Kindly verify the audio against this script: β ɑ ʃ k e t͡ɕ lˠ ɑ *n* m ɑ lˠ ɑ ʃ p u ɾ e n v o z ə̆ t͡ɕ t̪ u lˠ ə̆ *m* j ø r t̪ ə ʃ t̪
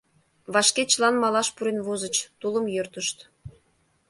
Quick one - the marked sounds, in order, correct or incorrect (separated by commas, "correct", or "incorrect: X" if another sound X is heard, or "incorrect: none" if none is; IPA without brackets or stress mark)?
correct, correct